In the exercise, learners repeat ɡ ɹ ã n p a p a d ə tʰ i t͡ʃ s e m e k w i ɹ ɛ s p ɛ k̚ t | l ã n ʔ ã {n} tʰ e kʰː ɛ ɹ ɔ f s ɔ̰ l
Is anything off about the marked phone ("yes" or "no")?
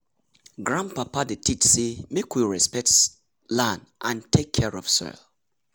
no